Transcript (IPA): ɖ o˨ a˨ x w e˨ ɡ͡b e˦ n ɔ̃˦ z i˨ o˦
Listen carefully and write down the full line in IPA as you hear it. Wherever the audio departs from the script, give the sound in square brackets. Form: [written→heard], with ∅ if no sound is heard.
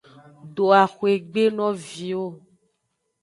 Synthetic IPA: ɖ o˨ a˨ x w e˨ ɡ͡b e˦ n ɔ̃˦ [z→v] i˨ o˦